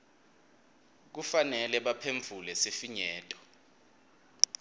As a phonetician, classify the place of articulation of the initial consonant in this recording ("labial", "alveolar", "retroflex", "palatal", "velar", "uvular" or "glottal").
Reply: velar